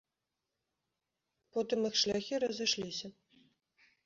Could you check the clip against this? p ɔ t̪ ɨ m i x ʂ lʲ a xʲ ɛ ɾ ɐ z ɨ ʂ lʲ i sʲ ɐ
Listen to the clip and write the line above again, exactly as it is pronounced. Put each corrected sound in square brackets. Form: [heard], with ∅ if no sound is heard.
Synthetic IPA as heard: p ɔ t̪ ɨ m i x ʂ lʲ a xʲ [i] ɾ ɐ z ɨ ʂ lʲ i sʲ ɐ

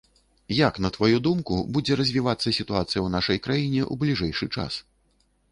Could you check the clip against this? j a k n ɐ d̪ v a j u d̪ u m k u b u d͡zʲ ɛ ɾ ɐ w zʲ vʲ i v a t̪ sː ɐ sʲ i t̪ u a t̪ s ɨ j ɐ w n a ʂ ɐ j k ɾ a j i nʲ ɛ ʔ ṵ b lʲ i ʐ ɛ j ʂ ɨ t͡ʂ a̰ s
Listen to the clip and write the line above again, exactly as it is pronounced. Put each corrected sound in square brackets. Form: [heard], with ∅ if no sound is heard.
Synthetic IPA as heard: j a k n ɐ [t̪] v a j u d̪ u m k u b u d͡zʲ ɛ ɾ ɐ [∅] zʲ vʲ i v a t̪ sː ɐ sʲ i t̪ u a t̪ s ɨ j ɐ w n a ʂ ɐ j k ɾ a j i nʲ ɛ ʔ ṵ b lʲ i ʐ ɛ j ʂ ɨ t͡ʂ a̰ s

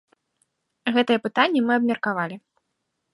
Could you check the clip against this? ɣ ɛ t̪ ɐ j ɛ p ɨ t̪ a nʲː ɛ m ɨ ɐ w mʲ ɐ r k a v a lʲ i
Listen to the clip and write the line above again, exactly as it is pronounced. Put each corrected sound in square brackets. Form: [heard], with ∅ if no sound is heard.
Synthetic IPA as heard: ɣ ɛ t̪ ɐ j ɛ p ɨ t̪ a nʲː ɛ m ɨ ɐ [b] mʲ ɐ r k a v a lʲ i

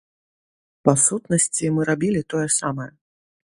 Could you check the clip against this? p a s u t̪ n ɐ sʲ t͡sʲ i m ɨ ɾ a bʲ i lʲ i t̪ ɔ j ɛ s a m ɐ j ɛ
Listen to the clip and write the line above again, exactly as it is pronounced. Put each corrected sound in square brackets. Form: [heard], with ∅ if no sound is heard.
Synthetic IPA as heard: p a s u t̪ n ɐ sʲ t͡sʲ i m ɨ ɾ a bʲ i lʲ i t̪ ɔ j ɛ s a m ɐ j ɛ

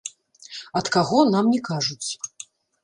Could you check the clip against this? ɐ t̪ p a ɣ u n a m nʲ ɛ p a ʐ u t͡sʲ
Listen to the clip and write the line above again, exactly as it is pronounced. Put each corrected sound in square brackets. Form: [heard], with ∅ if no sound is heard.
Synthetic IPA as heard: ɐ t̪ [k] a ɣ [ɔ] n a m nʲ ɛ [k] a ʐ u t͡sʲ

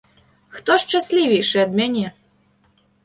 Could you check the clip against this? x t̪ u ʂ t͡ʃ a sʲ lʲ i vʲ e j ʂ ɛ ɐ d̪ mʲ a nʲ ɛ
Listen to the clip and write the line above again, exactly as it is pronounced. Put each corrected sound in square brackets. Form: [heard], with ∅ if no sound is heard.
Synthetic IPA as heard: x t̪ [ɔ] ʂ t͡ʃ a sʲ lʲ i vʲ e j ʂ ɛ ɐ d̪ mʲ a nʲ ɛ

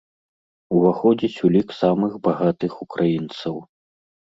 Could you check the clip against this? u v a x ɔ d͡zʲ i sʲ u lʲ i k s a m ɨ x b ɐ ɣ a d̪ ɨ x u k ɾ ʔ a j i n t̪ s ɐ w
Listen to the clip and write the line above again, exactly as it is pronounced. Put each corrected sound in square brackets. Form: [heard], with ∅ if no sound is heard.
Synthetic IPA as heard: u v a x ɔ d͡zʲ i [t͡sʲ] u lʲ i k s a m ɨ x b [a] ɣ a [t̪] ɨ x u k ɾ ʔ a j i n t̪ s ɐ w

